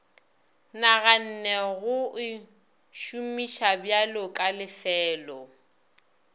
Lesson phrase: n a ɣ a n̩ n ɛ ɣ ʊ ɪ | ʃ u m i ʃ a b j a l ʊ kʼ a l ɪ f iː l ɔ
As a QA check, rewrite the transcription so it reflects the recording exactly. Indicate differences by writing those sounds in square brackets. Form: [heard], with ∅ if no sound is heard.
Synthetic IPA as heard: n a ɣ a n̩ n ɛ ɣ ʊ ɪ | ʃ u m i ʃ a b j a l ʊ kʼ a l ɪ f [ɛː] l ɔ